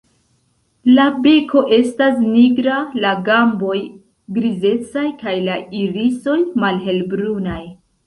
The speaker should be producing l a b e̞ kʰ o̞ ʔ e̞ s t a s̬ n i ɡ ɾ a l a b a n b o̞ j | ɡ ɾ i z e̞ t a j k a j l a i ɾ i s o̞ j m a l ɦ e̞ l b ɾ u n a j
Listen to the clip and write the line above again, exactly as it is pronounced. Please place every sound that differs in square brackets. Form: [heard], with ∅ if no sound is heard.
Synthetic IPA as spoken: l a b e̞ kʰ o̞ ʔ e̞ s t a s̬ n i ɡ ɾ a l a [ɡ] a [m] b o̞ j | ɡ ɾ i z e̞ [t͡s] a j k a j l a i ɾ i s o̞ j m a l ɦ e̞ l b ɾ u n a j